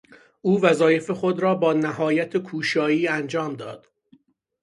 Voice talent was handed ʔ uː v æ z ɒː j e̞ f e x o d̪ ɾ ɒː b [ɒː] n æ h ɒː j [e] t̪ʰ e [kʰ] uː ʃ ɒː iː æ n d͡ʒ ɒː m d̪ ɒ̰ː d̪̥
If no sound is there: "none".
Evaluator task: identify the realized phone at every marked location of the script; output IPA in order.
ɒː, æ, kʰ

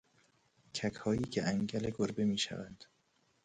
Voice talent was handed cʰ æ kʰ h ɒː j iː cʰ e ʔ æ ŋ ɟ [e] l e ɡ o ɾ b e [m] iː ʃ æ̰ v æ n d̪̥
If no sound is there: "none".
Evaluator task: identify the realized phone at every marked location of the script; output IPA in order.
æ, m

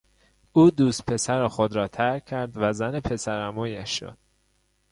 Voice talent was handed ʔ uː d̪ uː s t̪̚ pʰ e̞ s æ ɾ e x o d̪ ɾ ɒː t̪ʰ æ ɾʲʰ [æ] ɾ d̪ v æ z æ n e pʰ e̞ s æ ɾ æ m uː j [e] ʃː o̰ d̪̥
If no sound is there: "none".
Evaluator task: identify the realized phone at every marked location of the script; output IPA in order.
æ, æ

